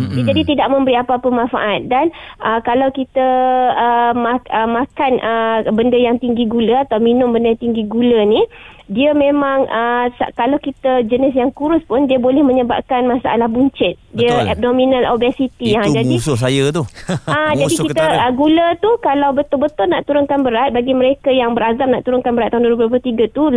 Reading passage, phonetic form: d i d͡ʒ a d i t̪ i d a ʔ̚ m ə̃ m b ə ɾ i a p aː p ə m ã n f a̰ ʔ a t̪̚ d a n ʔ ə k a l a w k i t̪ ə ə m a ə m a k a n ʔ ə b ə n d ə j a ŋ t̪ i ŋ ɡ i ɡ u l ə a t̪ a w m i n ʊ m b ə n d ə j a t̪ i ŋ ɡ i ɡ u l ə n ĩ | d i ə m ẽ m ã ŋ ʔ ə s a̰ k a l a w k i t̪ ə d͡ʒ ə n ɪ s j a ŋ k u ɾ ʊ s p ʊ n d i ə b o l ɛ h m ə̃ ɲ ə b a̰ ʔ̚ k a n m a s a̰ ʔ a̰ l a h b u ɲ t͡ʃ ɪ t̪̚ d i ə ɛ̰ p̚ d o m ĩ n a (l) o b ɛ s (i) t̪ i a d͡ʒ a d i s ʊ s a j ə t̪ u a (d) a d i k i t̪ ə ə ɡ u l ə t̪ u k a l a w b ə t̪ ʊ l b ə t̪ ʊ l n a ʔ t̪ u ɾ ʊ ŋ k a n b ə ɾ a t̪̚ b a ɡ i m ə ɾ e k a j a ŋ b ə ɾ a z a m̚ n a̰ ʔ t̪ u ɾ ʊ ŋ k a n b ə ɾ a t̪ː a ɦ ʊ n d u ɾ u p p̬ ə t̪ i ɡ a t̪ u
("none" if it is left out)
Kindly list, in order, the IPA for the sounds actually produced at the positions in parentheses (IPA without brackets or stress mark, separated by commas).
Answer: l, i, d͡ʒ